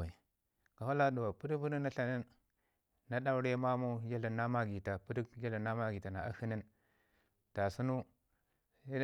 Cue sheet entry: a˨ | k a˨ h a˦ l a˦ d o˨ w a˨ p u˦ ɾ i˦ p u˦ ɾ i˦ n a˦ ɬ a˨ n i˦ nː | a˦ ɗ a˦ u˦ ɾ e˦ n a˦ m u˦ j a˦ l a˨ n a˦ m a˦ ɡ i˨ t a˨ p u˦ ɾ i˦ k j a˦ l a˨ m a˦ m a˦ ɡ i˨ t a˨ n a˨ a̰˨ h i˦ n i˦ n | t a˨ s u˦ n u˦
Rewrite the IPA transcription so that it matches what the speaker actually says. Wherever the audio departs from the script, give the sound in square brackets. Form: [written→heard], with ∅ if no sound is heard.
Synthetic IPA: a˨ | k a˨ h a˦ l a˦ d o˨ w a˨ p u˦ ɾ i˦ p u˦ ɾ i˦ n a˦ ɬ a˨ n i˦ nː | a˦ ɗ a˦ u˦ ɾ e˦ [n→m] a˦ m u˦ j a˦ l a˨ n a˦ m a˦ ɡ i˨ t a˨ p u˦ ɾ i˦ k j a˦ l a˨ [m→n] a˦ m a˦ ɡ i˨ t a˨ n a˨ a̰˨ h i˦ n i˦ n | t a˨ s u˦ n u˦